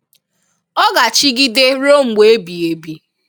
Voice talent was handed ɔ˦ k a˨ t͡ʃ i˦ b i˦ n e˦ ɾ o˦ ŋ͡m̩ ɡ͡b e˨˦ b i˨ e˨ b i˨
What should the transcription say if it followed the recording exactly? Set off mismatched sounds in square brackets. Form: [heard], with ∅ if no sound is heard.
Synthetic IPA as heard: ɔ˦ [ɡ] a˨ t͡ʃ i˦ [ɡ] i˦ [d] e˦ ɾ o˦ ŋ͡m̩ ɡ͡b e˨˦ b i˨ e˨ b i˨